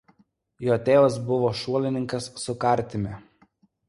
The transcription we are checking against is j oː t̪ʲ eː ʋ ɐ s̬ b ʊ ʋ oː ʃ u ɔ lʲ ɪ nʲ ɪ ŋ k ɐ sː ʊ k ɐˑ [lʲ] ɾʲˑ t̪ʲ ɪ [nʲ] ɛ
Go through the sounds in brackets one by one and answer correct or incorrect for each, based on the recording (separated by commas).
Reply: incorrect, incorrect